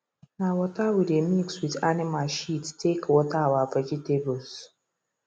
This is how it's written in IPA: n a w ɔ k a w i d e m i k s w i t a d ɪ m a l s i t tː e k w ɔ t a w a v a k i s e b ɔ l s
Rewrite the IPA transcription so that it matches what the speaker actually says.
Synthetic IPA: n a w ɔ t a w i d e m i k s w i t a n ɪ m a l ʃ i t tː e k w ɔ t a w a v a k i t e b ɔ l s